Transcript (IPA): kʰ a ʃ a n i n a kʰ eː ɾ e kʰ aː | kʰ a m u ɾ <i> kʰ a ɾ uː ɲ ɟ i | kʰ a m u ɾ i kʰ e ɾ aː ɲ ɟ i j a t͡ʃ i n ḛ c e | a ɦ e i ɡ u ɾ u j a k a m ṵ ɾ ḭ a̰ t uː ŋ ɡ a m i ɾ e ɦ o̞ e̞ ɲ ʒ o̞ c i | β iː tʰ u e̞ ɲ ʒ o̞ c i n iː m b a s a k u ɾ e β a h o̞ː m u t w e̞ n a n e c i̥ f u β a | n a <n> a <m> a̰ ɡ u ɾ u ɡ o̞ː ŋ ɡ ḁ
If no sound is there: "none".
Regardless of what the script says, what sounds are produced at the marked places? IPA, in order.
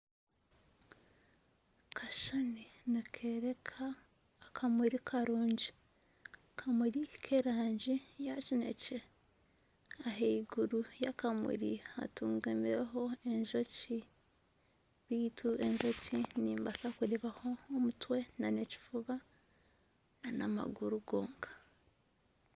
i, n, m

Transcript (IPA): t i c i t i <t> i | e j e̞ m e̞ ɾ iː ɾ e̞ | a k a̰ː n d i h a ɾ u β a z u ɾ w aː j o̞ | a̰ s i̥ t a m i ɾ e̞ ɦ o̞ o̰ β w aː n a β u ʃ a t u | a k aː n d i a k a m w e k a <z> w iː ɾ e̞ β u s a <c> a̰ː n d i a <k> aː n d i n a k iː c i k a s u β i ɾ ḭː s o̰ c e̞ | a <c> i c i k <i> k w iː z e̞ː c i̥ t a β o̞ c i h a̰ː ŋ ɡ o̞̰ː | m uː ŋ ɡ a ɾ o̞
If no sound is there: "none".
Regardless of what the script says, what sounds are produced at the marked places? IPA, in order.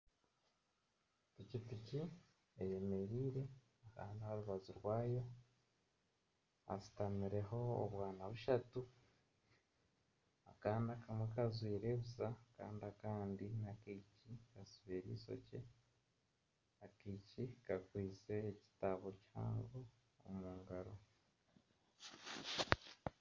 c, z, k, k, k, a

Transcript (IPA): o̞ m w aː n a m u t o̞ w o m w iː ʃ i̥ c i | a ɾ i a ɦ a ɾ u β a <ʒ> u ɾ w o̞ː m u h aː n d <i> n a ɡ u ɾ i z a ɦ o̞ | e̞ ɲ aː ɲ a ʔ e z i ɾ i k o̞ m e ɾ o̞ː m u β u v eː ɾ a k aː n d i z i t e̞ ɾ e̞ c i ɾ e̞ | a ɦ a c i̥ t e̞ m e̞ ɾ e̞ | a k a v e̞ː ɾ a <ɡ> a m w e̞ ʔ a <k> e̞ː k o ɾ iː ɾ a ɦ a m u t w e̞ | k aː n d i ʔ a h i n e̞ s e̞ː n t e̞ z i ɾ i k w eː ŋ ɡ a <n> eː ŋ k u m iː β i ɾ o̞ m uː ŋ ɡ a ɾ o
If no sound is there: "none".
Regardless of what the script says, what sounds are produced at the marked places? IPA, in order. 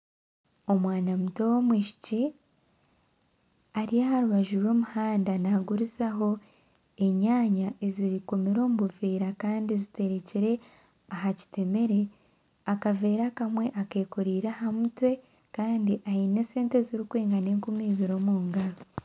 ʒ, a, k, k, n

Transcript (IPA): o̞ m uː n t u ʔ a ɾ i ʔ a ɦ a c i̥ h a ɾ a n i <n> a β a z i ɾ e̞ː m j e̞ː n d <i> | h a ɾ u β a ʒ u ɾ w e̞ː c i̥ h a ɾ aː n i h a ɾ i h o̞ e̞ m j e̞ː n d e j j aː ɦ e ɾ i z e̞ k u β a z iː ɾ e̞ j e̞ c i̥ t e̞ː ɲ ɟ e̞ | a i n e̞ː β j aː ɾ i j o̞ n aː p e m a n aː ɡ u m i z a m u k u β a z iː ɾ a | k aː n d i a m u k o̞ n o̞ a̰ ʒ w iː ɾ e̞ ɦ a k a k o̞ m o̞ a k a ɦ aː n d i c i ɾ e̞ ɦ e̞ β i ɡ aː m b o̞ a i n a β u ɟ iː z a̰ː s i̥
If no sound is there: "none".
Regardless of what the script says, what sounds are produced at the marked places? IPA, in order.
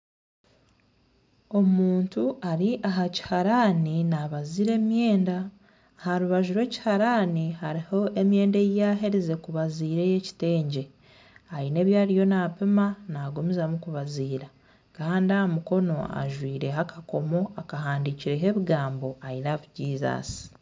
n, a

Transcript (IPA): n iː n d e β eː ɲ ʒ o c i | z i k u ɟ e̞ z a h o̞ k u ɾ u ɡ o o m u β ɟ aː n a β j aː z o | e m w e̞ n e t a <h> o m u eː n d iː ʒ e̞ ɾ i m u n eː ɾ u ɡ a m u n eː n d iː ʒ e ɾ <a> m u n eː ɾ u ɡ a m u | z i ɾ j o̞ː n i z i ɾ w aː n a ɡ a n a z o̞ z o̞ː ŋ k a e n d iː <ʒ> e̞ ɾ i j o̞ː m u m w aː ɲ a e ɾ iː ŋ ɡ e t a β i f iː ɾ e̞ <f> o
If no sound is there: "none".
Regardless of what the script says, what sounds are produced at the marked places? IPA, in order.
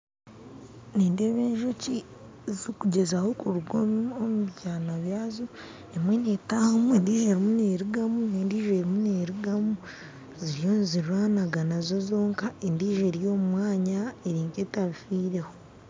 h, i, ʒ, h

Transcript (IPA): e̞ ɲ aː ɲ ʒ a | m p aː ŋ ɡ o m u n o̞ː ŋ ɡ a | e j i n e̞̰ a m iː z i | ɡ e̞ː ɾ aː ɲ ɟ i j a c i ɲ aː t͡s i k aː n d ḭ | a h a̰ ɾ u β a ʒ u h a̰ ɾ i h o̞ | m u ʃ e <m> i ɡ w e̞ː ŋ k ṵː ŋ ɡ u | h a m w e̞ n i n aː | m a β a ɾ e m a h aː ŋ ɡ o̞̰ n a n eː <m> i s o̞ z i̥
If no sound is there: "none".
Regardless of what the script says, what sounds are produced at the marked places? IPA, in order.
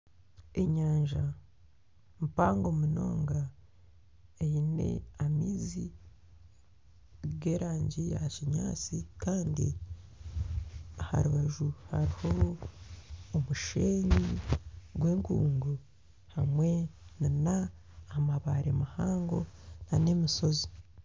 ɲ, m

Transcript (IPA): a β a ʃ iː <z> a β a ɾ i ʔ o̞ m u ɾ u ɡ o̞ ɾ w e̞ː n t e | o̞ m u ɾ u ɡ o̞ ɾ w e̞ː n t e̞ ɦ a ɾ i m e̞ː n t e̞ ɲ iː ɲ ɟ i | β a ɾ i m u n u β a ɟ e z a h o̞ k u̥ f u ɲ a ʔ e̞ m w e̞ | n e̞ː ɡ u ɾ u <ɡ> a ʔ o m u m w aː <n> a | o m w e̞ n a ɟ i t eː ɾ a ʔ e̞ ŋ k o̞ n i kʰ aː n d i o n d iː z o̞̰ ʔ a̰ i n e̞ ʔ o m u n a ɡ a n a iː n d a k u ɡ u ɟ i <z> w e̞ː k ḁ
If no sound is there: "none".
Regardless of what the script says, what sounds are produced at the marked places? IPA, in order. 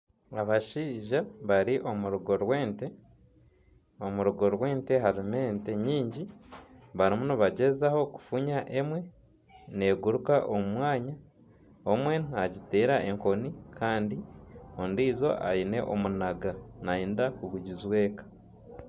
ʒ, k, ɲ, z

